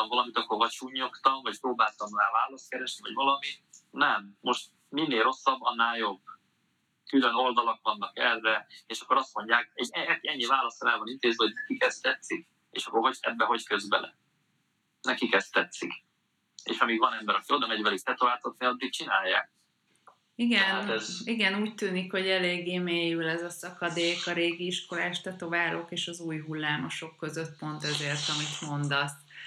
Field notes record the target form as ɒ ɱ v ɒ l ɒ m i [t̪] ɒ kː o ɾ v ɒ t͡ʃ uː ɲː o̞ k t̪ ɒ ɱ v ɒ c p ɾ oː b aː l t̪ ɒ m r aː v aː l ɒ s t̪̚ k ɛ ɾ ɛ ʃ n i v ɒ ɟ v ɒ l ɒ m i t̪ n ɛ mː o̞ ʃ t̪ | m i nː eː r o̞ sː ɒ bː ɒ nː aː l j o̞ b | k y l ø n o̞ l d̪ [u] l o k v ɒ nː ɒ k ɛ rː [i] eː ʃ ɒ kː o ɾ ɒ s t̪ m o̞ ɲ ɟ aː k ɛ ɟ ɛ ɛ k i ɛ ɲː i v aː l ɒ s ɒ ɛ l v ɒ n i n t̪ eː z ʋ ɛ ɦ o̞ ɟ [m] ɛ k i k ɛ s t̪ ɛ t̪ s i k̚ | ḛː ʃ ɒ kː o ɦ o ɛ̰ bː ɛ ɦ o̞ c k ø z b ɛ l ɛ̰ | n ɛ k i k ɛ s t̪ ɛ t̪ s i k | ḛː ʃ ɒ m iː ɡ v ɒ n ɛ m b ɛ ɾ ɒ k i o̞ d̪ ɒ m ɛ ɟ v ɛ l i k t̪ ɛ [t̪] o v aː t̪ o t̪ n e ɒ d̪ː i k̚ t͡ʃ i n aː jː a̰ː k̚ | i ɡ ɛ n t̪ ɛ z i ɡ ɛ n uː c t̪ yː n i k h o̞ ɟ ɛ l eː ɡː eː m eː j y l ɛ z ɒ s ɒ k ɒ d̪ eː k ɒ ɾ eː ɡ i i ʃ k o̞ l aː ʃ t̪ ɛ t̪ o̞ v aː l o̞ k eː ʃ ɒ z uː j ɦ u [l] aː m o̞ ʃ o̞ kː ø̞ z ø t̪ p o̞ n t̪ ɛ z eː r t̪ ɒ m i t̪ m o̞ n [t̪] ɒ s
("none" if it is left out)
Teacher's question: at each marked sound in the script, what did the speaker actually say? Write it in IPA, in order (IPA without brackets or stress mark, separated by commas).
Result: t̪, ɒ, ɛ, n, t̪, lː, d̪